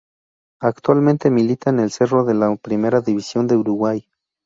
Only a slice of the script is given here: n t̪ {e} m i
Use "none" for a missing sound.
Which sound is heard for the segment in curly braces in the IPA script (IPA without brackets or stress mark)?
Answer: e